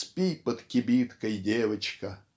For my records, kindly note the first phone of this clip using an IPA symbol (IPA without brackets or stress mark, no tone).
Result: s